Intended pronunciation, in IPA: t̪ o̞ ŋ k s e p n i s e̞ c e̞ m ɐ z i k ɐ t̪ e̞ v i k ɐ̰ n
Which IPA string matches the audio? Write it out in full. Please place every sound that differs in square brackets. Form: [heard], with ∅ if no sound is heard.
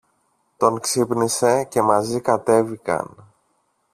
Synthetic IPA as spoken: t̪ o̞ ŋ k s [i] p n i s e̞ c e̞ m ɐ z i k ɐ t̪ e̞ v i k ɐ̰ n